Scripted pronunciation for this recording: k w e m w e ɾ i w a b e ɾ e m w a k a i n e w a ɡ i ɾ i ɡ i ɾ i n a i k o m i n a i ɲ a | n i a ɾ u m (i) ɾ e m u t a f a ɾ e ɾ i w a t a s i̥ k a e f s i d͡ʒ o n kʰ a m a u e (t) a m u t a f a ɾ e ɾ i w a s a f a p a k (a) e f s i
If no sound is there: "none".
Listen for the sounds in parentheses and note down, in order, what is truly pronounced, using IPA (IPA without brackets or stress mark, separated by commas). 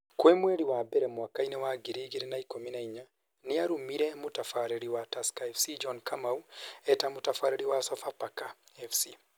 i, t, a